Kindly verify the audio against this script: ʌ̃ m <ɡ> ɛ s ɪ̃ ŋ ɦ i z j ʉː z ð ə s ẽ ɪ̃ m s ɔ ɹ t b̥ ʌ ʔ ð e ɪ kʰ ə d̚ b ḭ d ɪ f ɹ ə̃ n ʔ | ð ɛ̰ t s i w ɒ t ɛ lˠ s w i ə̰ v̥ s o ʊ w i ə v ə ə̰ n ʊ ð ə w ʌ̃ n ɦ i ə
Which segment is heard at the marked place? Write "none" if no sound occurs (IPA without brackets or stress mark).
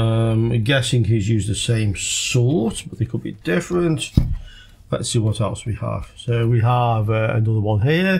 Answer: ɡ